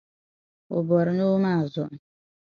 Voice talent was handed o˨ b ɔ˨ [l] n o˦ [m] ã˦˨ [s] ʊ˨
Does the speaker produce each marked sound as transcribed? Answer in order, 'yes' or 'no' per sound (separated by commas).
no, yes, no